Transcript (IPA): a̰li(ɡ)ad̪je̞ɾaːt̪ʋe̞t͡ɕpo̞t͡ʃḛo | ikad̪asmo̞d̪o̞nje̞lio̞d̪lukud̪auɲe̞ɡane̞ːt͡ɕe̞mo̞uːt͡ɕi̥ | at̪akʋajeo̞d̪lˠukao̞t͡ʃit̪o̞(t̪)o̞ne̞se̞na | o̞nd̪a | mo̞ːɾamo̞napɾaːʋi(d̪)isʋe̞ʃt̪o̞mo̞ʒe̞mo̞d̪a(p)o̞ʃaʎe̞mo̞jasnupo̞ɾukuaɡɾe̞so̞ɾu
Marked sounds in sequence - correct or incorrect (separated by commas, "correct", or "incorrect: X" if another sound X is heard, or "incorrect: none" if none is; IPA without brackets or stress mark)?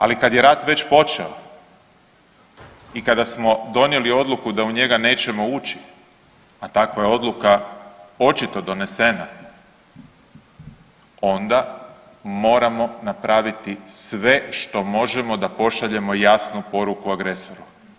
incorrect: k, incorrect: d̪, incorrect: t̪, correct